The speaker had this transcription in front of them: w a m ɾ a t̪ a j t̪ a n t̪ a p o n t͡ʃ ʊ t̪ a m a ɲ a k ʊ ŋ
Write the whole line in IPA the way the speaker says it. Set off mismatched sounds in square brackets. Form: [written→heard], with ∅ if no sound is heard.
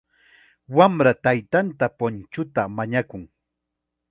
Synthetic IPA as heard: w a m ɾ a t̪ a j t̪ a n t̪ a p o n t͡ʃ ʊ t̪ a m a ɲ a k ʊ ŋ